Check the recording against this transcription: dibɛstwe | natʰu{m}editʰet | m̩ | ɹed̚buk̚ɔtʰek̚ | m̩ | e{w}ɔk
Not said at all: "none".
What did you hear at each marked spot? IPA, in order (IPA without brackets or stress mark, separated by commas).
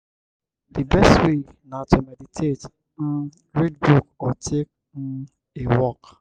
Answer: m, w